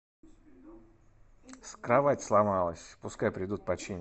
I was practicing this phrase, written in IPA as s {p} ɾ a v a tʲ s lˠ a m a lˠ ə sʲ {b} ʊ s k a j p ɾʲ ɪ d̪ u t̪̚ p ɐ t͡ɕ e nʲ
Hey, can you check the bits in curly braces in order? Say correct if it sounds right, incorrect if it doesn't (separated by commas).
incorrect, incorrect